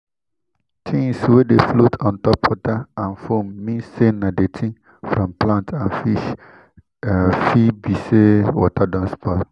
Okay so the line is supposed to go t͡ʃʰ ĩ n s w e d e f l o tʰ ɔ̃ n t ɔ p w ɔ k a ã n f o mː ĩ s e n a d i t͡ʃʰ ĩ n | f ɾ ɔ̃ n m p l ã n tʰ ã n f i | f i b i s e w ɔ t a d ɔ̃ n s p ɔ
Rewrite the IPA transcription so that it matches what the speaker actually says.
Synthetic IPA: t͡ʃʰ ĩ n s w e d e f l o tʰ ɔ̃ n t ɔ p w ɔ t a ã n f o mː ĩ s e n a d e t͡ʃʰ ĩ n | f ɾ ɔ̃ m p l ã n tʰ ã n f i | f i b i s e w ɔ t a d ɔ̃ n s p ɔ